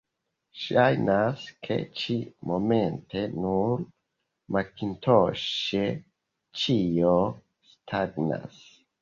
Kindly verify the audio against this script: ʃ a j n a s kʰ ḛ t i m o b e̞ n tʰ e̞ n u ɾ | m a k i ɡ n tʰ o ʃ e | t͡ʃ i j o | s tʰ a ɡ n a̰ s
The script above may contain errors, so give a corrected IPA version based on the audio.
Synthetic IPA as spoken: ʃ a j n a s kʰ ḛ t͡ʃ i m o m e̞ n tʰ e̞ n u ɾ | m a k i n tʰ o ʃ e | t͡ʃ i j o | s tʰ a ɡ n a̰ s